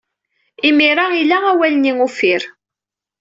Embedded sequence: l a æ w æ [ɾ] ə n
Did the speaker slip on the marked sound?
yes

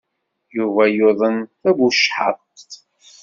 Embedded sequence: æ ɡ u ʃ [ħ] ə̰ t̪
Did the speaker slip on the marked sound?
no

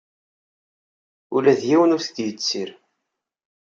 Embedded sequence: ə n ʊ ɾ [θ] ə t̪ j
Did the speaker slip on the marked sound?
no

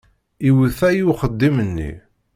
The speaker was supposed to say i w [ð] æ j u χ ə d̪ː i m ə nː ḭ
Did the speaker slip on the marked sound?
yes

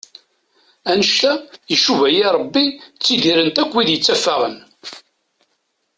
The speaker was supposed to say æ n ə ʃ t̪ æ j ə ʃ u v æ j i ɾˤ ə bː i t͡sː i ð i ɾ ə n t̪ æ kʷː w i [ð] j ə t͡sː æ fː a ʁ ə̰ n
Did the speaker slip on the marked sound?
no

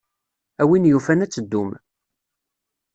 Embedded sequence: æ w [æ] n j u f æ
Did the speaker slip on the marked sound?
yes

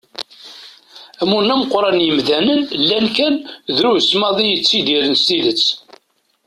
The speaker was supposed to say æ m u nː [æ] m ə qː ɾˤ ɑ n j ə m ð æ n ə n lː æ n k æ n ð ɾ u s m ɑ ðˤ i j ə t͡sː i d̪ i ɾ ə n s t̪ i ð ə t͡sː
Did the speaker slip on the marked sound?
no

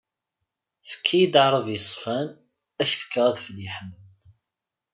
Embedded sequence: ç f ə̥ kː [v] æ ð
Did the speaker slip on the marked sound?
yes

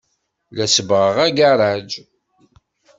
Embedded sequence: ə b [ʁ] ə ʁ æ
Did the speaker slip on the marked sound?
no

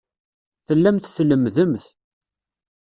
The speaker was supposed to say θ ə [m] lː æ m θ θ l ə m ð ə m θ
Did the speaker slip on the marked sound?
yes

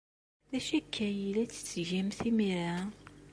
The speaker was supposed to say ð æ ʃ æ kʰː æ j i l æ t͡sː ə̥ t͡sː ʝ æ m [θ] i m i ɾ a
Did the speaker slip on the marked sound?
no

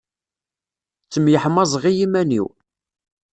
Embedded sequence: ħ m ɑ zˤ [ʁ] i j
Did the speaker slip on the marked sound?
no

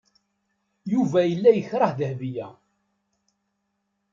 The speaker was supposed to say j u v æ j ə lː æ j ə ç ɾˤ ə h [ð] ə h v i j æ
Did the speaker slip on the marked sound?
no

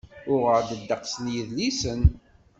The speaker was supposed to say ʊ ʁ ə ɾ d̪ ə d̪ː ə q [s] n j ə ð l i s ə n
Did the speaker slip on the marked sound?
no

